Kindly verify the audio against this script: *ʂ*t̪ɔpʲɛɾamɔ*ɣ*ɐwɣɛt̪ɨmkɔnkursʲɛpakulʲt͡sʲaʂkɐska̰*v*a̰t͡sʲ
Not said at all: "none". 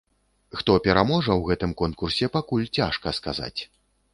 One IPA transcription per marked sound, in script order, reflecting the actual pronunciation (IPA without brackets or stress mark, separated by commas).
x, ʐ, z